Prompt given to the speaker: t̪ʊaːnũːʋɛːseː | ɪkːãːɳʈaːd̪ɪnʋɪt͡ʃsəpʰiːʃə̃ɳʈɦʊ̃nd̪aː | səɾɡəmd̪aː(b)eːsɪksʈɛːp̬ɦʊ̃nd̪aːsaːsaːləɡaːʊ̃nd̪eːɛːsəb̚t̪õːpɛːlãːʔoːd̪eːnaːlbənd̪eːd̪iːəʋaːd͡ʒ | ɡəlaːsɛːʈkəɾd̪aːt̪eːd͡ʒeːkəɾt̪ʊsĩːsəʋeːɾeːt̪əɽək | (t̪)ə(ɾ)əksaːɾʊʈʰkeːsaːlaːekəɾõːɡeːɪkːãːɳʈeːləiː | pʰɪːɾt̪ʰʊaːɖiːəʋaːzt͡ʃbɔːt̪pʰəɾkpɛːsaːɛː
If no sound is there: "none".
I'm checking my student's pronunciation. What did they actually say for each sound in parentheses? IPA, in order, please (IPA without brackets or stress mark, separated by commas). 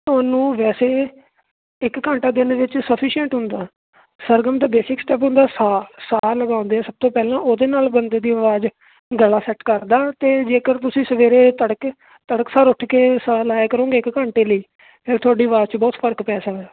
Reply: b, t̪, ɽ